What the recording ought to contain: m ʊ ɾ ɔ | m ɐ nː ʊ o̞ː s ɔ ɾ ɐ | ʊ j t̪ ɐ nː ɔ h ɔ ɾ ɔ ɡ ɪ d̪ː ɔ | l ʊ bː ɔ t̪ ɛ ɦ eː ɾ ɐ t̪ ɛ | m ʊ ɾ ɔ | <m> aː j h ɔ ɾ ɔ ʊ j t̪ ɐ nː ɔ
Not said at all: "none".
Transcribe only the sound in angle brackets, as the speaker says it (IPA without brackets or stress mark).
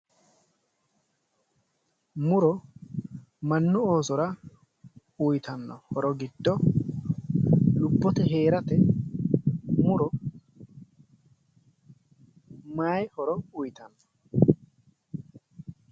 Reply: m